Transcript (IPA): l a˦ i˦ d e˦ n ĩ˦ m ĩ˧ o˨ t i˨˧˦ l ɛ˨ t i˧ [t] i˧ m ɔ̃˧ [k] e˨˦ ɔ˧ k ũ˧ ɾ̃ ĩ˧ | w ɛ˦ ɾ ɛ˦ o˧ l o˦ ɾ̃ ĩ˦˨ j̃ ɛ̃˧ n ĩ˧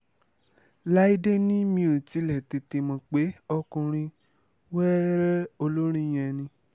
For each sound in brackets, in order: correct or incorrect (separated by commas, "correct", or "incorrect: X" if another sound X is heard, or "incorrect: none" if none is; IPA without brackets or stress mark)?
correct, incorrect: k͡p